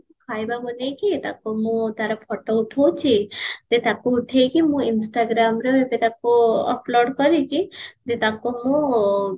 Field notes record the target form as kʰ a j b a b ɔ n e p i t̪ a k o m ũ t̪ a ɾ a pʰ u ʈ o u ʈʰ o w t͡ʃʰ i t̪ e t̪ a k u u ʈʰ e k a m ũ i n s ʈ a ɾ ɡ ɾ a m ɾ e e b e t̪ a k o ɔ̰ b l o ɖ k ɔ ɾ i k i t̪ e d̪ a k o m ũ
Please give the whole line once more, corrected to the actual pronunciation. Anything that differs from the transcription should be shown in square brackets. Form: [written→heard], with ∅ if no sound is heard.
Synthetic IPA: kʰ a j b a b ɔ n e [p→k] i t̪ a k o m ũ t̪ a ɾ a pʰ [u→ɔ] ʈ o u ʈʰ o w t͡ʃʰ i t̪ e t̪ a k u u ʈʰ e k [a→i] m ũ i n s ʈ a [ɾ→∅] ɡ ɾ a m ɾ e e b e t̪ a k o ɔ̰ [b→p] l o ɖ k ɔ ɾ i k i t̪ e [d̪→t̪] a k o m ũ